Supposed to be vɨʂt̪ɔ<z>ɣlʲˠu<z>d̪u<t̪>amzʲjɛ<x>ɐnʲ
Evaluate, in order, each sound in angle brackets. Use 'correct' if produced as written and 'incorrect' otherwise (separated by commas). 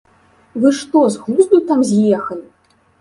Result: correct, correct, correct, correct